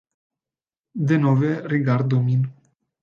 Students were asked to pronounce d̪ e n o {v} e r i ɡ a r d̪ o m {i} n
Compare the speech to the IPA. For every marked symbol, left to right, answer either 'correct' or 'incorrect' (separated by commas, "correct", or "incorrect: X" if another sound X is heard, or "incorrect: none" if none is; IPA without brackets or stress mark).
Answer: correct, correct